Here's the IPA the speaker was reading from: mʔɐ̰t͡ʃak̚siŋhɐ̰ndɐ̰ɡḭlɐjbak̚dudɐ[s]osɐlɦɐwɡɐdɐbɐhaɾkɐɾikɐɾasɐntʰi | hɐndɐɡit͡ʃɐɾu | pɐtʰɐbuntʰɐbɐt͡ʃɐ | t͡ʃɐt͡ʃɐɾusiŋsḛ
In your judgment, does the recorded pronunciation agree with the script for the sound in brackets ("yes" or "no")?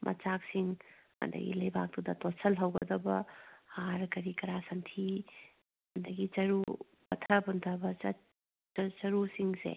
no